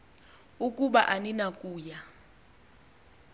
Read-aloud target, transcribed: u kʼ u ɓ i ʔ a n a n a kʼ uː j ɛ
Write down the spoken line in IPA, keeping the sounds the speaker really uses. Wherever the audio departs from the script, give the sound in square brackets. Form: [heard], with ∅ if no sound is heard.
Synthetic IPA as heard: u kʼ u ɓ [a] ʔ a n [i] n a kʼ uː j [a]